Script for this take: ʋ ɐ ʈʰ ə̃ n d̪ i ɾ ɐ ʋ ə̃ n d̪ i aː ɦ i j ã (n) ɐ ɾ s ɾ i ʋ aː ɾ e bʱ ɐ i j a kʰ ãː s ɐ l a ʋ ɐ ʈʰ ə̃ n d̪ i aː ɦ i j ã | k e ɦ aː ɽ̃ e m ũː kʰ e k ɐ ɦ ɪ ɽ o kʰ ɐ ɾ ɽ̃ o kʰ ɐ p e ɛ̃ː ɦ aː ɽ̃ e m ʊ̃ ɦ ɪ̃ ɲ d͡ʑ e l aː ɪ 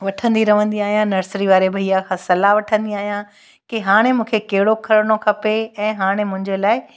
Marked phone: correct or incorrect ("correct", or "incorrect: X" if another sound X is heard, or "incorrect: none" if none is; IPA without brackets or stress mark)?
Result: correct